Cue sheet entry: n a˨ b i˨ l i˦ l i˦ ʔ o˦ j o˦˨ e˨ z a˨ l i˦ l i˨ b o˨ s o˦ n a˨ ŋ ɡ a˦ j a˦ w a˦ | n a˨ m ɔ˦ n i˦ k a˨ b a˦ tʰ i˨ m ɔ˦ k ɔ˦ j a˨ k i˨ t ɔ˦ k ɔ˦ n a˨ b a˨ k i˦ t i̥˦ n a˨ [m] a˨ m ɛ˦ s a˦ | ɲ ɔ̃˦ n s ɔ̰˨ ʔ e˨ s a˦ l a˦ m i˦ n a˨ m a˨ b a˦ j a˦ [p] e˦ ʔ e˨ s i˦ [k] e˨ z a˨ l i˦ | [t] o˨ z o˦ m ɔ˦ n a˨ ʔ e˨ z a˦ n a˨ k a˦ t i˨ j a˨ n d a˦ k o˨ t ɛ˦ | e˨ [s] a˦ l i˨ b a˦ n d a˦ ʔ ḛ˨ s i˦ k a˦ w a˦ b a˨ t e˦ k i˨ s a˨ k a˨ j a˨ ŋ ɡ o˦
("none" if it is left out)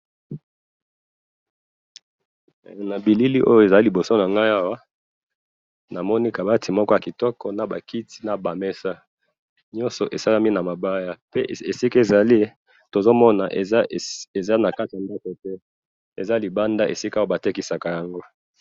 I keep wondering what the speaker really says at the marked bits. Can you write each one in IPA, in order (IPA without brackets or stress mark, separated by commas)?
b, p, k, t, z